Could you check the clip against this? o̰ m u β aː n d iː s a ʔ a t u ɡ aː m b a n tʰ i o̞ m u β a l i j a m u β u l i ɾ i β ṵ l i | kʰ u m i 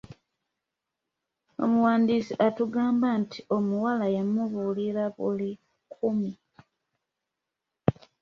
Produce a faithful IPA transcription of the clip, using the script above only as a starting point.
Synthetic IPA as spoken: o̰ m u w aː n d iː s i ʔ a t u ɡ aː m b a n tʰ i o̞ m u w a l a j a m u β u l i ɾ a β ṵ l i | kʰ u m i